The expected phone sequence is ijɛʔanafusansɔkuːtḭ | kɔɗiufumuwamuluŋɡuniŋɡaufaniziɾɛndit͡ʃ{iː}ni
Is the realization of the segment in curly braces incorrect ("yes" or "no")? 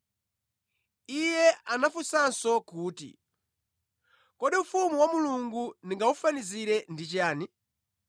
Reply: yes